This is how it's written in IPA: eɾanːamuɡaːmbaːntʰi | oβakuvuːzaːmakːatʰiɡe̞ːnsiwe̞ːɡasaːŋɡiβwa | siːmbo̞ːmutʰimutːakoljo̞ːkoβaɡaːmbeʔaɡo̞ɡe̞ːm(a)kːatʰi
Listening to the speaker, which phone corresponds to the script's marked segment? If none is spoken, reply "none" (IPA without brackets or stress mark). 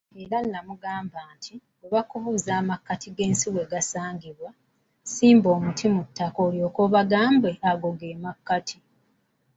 a